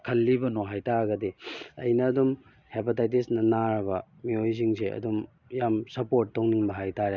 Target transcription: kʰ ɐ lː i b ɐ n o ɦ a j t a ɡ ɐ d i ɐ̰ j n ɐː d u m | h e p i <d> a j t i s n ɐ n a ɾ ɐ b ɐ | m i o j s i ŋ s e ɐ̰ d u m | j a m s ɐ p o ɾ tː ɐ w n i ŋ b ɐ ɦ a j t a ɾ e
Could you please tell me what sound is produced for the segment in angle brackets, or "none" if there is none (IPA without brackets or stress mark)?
t